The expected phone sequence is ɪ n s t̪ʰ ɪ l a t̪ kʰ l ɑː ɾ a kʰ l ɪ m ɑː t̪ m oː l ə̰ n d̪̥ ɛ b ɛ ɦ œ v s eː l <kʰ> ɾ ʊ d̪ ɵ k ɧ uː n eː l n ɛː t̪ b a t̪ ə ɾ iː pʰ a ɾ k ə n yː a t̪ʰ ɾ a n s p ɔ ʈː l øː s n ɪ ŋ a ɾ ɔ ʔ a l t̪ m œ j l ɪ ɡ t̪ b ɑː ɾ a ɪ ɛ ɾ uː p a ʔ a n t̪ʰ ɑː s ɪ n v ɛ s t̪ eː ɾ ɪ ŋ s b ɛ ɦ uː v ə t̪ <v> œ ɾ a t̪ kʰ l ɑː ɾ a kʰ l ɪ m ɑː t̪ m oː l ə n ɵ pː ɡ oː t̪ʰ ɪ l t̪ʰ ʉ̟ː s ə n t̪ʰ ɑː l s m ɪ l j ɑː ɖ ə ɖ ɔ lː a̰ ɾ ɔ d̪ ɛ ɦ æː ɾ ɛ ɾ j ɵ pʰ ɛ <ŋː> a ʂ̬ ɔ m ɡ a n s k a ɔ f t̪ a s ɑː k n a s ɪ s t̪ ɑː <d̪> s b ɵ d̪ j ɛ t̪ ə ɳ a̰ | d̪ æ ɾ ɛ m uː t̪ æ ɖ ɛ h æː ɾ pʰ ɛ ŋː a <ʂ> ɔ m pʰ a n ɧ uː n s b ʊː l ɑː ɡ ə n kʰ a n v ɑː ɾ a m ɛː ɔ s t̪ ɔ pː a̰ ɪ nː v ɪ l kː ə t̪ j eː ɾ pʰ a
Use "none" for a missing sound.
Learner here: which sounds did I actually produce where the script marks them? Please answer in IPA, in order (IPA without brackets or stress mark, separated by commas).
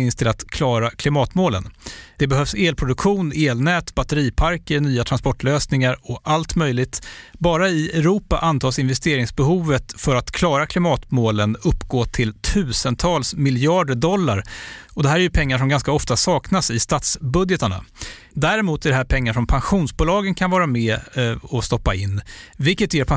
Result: pʰ, f, ŋː, t̪, ʂ